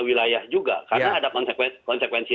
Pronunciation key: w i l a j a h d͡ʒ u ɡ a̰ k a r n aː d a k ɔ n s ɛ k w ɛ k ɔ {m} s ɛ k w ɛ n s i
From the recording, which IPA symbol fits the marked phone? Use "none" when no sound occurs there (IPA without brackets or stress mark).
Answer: n